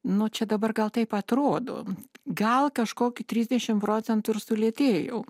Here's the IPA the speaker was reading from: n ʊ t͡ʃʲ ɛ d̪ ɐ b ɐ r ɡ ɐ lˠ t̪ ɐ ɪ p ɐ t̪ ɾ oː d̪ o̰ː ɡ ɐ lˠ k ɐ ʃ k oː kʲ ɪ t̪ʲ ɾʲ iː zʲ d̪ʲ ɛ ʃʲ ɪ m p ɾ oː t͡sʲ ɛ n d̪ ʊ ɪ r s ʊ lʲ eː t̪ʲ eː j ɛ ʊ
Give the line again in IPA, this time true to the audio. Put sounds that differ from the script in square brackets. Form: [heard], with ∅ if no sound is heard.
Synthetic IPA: n ʊ t͡ʃʲ ɛ d̪ ɐ b ɐ r ɡ ɐ lˠ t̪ ɐ ɪ p ɐ t̪ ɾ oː d̪ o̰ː ɡ ɐ lˠ k ɐ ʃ k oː kʲ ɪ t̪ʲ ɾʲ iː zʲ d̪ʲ ɛ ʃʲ ɪ m p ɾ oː t͡sʲ ɛ n [t̪] ʊ ɪ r s ʊ lʲ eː t̪ʲ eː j ɛ ʊ